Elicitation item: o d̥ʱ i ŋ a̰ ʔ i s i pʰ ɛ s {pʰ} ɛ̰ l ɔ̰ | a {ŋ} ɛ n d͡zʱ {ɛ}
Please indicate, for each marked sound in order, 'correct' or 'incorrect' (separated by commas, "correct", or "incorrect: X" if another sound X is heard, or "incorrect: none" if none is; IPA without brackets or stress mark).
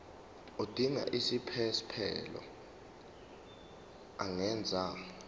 correct, correct, incorrect: a